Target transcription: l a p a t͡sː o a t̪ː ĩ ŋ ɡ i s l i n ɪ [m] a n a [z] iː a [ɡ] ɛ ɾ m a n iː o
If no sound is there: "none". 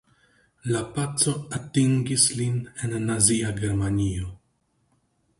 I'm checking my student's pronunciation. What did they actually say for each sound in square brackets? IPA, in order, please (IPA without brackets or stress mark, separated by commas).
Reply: n, z, ɡ